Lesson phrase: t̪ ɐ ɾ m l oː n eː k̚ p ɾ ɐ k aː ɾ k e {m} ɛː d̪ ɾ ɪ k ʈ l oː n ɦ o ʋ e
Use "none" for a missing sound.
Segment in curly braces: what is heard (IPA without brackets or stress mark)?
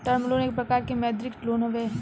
m